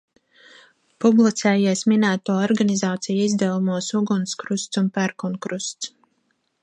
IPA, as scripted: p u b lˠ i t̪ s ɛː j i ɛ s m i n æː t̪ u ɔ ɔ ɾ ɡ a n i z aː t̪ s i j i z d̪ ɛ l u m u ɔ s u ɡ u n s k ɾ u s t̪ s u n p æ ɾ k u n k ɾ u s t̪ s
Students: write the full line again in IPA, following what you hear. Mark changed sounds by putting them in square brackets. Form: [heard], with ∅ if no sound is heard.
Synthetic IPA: p u b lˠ i t̪ s ɛː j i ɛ s m i n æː t̪ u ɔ ɔ ɾ ɡ a n i z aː t̪ s i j i z d̪ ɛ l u m u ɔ s u ɡ u n s k ɾ u s t̪ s u n p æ ɾ k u n k ɾ u s t̪ s

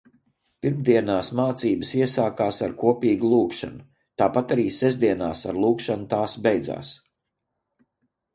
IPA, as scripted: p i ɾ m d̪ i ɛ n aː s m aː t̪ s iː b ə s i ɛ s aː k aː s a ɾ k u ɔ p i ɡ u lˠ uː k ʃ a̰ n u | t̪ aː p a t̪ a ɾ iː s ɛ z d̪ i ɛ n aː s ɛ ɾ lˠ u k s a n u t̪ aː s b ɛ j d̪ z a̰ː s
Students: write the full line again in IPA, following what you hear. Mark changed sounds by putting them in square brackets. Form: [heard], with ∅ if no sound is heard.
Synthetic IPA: p i ɾ m d̪ i ɛ n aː s m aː t̪ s iː b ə s i ɛ s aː k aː s a ɾ k u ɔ p [iː] ɡ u lˠ uː k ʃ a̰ n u | t̪ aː p a t̪ a ɾ iː s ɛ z d̪ i ɛ n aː s [a] ɾ lˠ [uː] k [ʃ] a n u t̪ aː s b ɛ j d̪ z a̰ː s

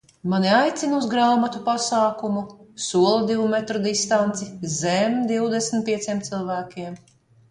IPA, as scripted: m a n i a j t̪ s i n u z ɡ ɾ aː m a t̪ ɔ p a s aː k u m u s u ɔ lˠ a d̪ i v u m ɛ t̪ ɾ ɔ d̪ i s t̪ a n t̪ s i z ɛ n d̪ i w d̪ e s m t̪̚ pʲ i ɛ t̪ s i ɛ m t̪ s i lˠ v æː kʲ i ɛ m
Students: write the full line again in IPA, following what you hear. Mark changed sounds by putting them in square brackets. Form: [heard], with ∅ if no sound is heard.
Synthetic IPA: m a n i a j t̪ s i n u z ɡ ɾ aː m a t̪ [u] p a s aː k u m u s u ɔ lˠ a d̪ i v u m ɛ t̪ ɾ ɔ d̪ i s t̪ a n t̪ s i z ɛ [m] d̪ i w d̪ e s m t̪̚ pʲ i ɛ t̪ s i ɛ m t̪ s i lˠ v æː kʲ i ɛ m

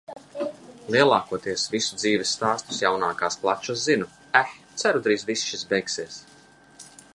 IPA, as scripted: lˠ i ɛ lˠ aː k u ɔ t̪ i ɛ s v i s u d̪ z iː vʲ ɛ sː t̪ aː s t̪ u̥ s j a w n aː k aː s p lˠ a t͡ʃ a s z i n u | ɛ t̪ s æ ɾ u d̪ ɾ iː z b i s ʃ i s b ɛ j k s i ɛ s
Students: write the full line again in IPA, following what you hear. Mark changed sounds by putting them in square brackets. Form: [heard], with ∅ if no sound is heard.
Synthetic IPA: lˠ i ɛ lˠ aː k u ɔ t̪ i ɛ s v i s u d̪ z iː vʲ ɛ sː t̪ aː s t̪ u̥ s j a w n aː k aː s p lˠ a t͡ʃ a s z i n u | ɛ t̪ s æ ɾ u d̪ ɾ iː z [v] i s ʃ i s b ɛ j k s i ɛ s

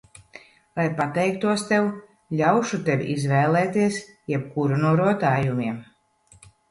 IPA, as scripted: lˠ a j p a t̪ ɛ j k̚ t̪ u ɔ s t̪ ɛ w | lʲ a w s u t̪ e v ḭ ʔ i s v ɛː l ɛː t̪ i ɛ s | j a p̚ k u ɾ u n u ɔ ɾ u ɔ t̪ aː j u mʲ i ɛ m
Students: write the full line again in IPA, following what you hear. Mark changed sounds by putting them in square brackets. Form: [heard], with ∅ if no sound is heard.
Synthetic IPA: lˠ a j p a t̪ ɛ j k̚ t̪ u ɔ s t̪ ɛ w | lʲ a w [ʃ] u t̪ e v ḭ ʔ i [z] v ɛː l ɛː t̪ i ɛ s | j [ɛ] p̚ k u ɾ u n u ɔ ɾ u ɔ t̪ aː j u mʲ i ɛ m

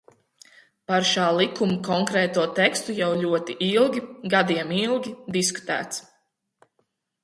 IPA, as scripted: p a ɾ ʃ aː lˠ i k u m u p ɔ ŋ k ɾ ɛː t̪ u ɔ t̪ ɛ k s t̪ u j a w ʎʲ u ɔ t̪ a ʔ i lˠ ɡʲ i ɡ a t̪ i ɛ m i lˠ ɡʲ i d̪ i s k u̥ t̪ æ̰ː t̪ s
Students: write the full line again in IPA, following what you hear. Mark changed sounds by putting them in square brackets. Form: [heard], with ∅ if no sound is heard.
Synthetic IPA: p a ɾ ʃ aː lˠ i k u m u [k] ɔ ŋ k ɾ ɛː t̪ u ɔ t̪ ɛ k s t̪ u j a w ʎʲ u ɔ t̪ [i] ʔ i lˠ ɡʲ i ɡ a [d̪] i ɛ m i lˠ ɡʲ i d̪ i s k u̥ t̪ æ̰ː t̪ s

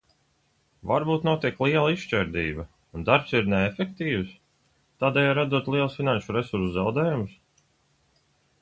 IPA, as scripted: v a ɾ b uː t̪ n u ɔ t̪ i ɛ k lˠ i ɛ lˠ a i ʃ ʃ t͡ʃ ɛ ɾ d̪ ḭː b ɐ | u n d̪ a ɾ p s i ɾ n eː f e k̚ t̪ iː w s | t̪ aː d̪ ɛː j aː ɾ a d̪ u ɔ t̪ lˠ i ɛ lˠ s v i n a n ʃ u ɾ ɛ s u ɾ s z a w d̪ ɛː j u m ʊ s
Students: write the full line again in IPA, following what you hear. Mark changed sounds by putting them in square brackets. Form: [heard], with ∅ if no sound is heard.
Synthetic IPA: v a ɾ b uː t̪ n u ɔ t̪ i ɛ k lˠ i ɛ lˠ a i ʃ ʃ t͡ʃ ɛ ɾ d̪ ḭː b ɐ | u n d̪ a ɾ p s i ɾ n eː f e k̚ t̪ iː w s | t̪ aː d̪ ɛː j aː ɾ a d̪ u ɔ t̪ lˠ i ɛ lˠ s [f] i n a n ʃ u ɾ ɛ s u ɾ s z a w d̪ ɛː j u m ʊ s

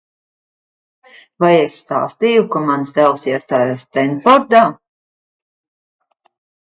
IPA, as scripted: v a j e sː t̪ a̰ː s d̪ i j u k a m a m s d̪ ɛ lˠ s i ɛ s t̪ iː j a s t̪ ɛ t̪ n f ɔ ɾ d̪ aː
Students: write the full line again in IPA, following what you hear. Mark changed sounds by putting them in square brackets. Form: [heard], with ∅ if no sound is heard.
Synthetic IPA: v a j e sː t̪ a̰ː s [t̪] i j u k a m a [n] s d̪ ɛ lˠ s i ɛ s t̪ [aː] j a s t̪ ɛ [∅] n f ɔ ɾ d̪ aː

